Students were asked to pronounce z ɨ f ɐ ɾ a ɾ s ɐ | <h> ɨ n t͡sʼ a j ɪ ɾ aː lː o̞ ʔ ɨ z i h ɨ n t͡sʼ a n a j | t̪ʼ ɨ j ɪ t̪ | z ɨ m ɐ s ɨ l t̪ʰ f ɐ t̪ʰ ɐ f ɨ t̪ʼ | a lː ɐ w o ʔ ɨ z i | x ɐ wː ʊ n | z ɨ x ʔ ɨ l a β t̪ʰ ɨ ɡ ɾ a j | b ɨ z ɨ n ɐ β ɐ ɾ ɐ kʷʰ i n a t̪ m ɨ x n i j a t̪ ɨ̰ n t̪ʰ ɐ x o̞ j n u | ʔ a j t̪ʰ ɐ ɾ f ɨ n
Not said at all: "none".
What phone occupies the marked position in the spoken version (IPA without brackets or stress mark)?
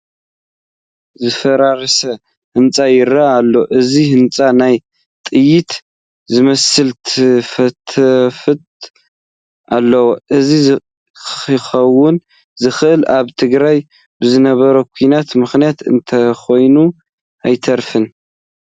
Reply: h